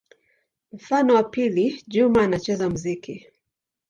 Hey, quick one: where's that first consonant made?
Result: lips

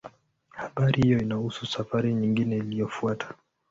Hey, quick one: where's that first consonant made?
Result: throat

